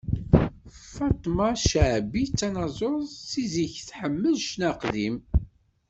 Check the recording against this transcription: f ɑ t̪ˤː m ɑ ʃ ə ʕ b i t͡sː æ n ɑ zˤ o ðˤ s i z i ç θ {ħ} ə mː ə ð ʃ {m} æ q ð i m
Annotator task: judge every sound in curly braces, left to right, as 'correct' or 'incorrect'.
correct, incorrect: n

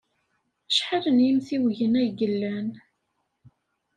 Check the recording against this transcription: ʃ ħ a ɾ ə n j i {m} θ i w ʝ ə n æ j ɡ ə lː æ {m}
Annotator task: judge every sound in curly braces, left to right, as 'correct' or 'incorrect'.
correct, incorrect: n

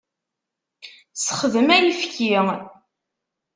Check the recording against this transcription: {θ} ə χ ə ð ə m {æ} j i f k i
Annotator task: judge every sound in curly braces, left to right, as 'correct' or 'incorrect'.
incorrect: s, correct

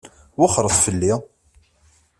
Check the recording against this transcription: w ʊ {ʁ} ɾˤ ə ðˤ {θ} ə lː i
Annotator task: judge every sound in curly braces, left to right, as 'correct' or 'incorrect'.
incorrect: χ, incorrect: f

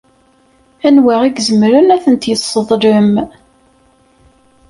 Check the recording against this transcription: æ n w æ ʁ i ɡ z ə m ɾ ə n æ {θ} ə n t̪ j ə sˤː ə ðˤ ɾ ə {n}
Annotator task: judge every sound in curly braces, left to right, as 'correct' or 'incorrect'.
correct, incorrect: m

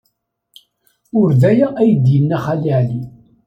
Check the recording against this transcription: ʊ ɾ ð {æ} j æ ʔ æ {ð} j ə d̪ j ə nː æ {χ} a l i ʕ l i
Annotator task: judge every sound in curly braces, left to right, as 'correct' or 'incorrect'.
correct, incorrect: none, correct

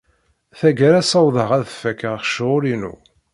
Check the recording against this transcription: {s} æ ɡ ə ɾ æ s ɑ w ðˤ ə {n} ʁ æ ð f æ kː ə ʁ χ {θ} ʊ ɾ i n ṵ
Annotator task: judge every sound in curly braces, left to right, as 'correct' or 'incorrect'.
incorrect: θ, incorrect: none, incorrect: ʃ

